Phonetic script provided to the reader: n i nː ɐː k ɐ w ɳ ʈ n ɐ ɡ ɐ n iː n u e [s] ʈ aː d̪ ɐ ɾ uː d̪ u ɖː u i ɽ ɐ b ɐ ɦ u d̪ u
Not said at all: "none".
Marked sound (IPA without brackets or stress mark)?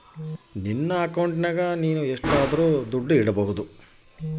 ʂ